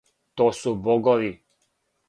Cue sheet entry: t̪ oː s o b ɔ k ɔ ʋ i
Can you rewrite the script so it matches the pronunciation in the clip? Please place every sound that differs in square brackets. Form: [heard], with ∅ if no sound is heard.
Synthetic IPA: t̪ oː s [u] b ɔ [ɡ] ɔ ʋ i